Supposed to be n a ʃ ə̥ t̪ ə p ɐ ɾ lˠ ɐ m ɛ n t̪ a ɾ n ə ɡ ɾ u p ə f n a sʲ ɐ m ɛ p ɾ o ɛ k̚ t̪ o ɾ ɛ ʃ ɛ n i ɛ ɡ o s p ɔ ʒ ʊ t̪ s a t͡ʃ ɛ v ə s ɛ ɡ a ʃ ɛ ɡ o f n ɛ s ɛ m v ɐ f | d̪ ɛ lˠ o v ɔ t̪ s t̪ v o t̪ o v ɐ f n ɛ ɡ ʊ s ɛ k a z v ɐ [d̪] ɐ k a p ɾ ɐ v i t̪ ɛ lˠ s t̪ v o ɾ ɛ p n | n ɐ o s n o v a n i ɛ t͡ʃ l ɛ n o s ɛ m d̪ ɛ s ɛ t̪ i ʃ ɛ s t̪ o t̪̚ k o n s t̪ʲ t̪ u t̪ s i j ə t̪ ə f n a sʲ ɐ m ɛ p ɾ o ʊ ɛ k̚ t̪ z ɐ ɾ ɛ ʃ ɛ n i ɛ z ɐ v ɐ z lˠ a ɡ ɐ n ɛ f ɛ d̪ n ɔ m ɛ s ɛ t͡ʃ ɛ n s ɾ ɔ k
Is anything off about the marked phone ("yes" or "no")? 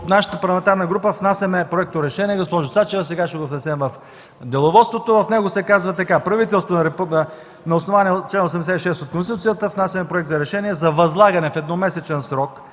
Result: yes